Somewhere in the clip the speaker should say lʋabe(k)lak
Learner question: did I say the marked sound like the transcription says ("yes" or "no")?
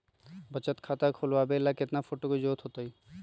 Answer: no